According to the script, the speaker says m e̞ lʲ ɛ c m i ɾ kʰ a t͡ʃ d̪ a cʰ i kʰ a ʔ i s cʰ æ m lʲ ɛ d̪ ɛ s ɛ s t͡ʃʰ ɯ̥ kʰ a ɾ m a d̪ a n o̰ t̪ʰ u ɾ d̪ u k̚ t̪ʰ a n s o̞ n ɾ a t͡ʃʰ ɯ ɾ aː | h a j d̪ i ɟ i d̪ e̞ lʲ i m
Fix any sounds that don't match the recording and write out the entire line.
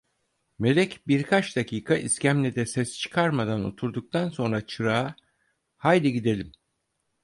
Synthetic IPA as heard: m e̞ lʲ ɛ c b i ɾ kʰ a t͡ʃ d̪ a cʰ iː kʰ a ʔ i s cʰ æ m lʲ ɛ d̪ ɛ s ɛ s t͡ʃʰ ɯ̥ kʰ a ɾ m a d̪ a n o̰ t̪ʰ u ɾ d̪ u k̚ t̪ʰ a n s o̞ n ɾ a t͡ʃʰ ɯ ɾ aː | h a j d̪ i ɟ i d̪ e̞ lʲ i m